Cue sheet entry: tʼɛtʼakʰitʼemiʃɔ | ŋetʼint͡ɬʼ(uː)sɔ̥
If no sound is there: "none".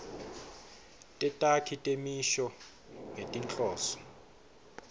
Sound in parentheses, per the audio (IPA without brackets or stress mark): ɔː